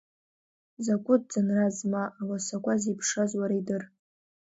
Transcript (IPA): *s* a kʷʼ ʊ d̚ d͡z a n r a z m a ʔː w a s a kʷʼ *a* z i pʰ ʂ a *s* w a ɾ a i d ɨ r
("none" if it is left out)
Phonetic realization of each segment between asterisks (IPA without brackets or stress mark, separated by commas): z, a, z